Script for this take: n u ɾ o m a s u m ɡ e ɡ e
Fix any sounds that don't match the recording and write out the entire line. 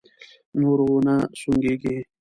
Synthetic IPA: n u ɾ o n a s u ŋ ɡ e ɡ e